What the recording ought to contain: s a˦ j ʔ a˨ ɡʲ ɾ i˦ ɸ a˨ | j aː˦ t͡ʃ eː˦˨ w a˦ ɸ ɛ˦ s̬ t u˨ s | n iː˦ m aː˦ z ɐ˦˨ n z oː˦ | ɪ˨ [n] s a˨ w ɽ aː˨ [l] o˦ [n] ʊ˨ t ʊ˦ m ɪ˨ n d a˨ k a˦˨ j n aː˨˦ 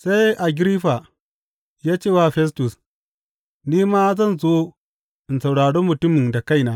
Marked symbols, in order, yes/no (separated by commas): yes, no, no